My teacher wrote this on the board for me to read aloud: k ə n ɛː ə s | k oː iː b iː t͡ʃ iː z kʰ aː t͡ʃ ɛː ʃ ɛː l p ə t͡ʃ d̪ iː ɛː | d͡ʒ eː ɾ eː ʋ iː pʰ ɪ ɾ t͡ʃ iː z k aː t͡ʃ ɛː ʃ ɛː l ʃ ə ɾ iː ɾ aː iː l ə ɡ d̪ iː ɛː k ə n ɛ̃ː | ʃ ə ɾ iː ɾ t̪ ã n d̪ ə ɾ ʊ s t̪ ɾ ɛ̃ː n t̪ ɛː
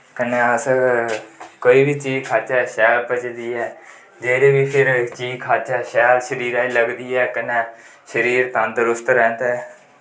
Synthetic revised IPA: k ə n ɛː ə s | k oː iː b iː t͡ʃ iː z kʰ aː t͡ʃ ɛː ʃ ɛː l p ə t͡ʃ d̪ iː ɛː | d͡ʒ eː ɾ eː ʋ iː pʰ ɪ ɾ t͡ʃ iː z kʰ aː t͡ʃ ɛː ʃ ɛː l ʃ ə ɾ iː ɾ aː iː l ə ɡ d̪ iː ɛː k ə n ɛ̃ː | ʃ ə ɾ iː ɾ t̪ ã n d̪ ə ɾ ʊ s t̪ ɾ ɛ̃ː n t̪ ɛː